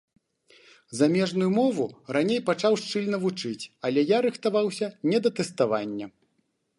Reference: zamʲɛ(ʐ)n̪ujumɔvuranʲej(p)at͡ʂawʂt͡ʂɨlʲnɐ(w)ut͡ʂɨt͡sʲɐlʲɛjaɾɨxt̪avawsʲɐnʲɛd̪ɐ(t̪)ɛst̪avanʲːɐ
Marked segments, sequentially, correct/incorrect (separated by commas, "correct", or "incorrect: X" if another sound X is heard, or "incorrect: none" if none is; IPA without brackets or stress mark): correct, correct, incorrect: v, correct